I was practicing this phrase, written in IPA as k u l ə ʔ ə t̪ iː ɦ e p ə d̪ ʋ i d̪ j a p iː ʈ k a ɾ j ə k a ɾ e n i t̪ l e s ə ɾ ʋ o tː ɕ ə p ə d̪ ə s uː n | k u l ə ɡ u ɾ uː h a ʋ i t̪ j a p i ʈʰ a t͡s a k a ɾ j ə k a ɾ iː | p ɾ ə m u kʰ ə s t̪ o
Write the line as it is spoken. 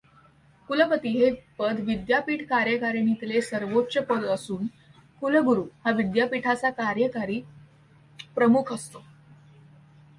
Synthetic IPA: k u l ə p ə t̪ iː ɦ e p ə d̪ ʋ i d̪ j a p iː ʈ k a ɾ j ə k a ɾ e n i t̪ l e s ə ɾ ʋ o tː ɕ ə p ə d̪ ə s uː n | k u l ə ɡ u ɾ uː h a ʋ i d̪ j a p i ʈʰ a t͡s a k a ɾ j ə k a ɾ iː | p ɾ ə m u kʰ ə s t̪ o